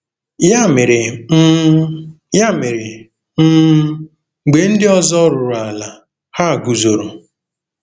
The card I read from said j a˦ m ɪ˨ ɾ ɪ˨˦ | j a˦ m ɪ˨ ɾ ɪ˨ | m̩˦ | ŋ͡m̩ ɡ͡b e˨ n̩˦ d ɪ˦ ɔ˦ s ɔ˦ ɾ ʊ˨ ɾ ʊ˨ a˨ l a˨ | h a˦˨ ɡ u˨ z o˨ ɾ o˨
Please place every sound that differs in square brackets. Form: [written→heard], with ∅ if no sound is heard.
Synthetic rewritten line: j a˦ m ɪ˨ ɾ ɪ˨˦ | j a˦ m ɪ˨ ɾ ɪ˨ | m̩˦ | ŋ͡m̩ ɡ͡b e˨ n̩˦ d ɪ˦ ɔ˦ [s→z] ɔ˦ ɾ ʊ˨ ɾ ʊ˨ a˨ l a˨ | h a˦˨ ɡ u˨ z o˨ ɾ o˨